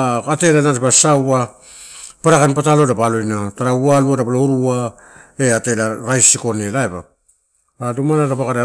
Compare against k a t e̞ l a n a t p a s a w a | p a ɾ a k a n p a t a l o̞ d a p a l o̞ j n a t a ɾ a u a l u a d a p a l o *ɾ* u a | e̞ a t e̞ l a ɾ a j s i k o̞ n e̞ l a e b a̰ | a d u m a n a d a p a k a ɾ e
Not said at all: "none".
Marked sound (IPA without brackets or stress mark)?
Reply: ɾ